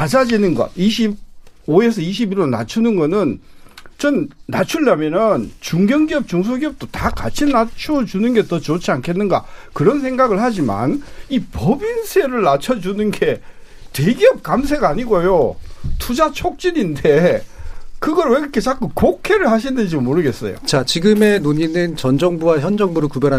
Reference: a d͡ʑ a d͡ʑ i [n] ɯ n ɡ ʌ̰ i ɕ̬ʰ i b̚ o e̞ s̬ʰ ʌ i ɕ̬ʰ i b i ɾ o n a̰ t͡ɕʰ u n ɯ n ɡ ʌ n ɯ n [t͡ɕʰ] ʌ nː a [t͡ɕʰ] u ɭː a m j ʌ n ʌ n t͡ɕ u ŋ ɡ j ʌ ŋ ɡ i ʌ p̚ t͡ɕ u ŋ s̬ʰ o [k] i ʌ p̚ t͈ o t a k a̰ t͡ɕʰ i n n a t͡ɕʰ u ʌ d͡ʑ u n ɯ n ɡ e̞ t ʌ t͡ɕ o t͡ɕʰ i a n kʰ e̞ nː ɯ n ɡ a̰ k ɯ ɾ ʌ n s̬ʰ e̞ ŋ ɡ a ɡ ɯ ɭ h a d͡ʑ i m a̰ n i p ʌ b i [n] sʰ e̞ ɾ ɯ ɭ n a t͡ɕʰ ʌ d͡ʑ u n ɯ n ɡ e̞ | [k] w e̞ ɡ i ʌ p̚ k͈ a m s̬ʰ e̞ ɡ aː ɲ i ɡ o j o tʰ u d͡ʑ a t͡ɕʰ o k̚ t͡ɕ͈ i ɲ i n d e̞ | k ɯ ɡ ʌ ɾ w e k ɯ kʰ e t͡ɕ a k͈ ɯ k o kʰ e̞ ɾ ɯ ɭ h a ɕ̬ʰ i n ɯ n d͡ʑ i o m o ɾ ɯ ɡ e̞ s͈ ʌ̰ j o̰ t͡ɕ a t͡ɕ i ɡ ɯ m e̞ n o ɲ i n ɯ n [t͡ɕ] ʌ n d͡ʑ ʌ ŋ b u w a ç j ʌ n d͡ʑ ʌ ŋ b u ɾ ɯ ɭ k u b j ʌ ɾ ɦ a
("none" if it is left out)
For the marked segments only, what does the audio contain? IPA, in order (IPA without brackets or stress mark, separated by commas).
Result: n, t͡ɕ, t͡ɕʰ, ɡ, n, t, t͡ɕ